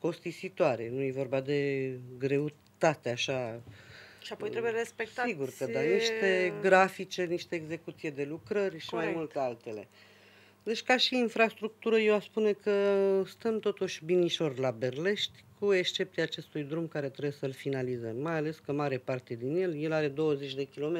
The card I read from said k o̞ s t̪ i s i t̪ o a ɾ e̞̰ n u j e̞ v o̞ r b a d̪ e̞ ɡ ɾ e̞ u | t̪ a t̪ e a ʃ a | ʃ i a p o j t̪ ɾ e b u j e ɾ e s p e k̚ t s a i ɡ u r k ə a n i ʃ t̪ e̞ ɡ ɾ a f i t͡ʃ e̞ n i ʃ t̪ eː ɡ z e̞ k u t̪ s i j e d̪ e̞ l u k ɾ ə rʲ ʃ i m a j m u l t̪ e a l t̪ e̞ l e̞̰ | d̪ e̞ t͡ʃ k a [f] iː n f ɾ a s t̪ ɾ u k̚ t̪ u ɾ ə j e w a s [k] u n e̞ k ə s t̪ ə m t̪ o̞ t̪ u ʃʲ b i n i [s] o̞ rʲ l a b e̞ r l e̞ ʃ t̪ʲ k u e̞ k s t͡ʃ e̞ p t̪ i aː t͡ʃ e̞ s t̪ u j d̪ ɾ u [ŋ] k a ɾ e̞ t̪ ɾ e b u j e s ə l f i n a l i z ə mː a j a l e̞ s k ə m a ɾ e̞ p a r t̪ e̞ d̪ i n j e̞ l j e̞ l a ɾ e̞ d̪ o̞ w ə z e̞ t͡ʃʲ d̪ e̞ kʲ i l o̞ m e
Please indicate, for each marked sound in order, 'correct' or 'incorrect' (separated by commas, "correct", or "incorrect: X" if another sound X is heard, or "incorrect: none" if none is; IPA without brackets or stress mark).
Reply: incorrect: ʃ, incorrect: p, incorrect: ʃ, incorrect: m